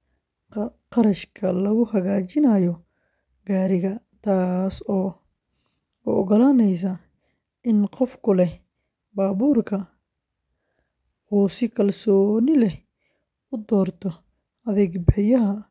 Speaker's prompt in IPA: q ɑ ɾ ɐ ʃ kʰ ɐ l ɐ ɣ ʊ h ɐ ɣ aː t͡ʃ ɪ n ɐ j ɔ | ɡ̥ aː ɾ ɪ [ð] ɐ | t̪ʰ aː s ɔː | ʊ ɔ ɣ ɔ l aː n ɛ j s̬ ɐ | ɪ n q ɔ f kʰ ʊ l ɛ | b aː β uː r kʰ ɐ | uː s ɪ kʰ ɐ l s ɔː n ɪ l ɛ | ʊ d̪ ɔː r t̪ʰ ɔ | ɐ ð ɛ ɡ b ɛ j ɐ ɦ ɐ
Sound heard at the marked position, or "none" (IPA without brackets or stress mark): ɣ